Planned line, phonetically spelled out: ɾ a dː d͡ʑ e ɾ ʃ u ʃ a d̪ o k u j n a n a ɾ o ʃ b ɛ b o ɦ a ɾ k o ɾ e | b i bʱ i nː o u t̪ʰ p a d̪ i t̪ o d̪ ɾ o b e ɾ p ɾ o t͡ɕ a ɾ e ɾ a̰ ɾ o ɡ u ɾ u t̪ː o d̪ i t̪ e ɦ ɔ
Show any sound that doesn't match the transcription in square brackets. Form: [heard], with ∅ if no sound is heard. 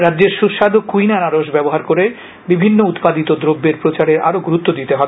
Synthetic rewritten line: ɾ a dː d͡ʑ e ɾ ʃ u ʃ a d̪ o k u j n a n a ɾ o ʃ b ɛ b o ɦ a ɾ k o ɾ e | b i bʱ i nː o u [t̪] p a d̪ i t̪ o d̪ ɾ o [bː] e ɾ p ɾ o t͡ɕ a ɾ e ɾ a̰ ɾ o ɡ u ɾ u t̪ː o d̪ i t̪ e ɦ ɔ